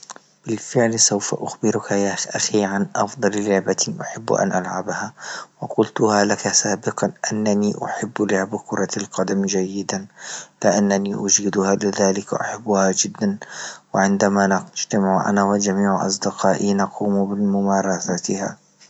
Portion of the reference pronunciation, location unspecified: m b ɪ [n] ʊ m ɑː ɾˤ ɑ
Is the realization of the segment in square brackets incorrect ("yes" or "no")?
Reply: yes